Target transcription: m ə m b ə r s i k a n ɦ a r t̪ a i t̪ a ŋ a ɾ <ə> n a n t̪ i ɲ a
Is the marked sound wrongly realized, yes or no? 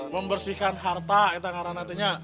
yes